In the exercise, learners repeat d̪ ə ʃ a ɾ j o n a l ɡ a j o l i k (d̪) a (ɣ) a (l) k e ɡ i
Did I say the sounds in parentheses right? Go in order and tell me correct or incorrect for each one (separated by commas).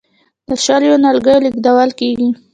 correct, incorrect, correct